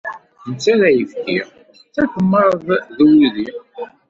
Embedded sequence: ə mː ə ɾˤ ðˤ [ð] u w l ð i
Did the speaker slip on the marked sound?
no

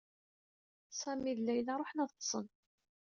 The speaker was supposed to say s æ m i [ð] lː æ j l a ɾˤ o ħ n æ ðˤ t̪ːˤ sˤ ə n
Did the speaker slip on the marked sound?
no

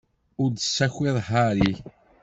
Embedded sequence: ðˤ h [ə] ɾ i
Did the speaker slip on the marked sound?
yes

